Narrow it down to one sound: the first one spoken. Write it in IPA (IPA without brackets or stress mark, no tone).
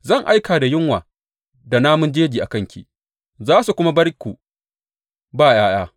z